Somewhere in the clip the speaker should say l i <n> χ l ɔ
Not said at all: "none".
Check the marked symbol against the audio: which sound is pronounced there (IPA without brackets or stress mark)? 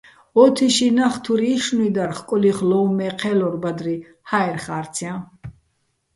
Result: none